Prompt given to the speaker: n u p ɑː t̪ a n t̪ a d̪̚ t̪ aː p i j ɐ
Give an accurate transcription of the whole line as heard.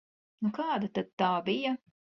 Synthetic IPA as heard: n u k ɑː d̪ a t̪ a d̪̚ t̪ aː b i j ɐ